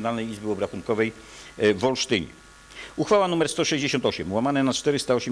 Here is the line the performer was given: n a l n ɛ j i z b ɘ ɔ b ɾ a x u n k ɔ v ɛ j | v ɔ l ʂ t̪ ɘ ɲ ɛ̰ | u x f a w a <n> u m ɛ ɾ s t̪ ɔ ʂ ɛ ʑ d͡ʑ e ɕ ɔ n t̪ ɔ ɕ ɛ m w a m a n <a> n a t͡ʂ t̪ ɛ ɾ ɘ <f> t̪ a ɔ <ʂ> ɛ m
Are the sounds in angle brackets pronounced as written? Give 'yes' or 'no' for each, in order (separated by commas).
yes, no, no, no